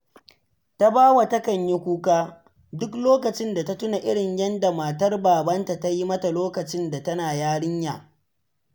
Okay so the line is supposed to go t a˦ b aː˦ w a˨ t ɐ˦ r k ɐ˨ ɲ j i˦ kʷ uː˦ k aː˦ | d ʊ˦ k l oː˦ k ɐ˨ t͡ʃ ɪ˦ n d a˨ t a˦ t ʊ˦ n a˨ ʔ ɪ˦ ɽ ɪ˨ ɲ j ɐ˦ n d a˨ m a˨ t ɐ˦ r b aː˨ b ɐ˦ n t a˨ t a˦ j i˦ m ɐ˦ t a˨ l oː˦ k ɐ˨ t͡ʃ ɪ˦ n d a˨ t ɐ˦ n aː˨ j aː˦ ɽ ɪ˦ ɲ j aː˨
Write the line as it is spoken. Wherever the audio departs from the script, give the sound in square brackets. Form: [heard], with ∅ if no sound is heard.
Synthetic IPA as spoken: t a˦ b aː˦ w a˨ t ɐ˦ [∅] k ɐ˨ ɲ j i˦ kʷ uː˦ k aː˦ | d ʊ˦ k l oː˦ k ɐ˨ t͡ʃ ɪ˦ n d a˨ t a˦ t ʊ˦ n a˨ ʔ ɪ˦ ɽ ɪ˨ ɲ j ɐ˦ n d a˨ m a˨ t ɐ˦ r b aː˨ b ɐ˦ n t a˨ t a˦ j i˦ m ɐ˦ t a˨ l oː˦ k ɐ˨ t͡ʃ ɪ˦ n d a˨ t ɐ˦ n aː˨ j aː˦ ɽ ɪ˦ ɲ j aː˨